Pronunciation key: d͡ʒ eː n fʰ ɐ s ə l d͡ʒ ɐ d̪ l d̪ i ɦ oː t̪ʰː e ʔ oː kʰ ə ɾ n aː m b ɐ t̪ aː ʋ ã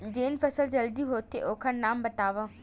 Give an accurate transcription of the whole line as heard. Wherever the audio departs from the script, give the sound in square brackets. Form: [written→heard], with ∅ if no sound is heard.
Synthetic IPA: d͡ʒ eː n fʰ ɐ s ə l d͡ʒ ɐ [d̪→∅] l d̪ i ɦ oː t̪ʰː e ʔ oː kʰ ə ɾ n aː m b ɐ t̪ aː ʋ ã